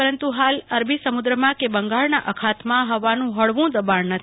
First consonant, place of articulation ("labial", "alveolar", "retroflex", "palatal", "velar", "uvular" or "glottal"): alveolar